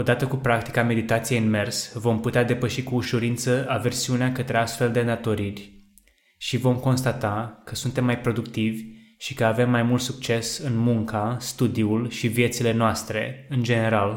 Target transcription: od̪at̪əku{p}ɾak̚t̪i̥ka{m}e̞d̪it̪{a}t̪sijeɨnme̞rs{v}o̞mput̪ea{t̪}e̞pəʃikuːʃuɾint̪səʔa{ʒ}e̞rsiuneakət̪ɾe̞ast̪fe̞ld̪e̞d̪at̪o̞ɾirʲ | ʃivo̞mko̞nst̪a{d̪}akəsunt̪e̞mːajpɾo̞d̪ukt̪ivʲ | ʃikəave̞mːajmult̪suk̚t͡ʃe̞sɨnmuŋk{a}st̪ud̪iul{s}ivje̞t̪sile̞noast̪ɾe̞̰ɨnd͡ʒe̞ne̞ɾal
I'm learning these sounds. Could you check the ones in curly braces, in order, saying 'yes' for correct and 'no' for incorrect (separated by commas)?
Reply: yes, yes, yes, yes, no, no, no, yes, no